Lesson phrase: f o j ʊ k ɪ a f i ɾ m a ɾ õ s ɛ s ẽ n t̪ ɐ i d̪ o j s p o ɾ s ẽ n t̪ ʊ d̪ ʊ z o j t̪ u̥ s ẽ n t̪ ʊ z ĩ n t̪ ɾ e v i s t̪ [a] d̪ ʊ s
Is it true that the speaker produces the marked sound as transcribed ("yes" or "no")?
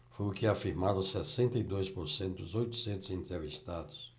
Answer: yes